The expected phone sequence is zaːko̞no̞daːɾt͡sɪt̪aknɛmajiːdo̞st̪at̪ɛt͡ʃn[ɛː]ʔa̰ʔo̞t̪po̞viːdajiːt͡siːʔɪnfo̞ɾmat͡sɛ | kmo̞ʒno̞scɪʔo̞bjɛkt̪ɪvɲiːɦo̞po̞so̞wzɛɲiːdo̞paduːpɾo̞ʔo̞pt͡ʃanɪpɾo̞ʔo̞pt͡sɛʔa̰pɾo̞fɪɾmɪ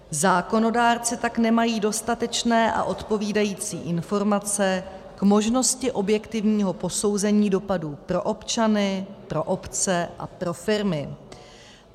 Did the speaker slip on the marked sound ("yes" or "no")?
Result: no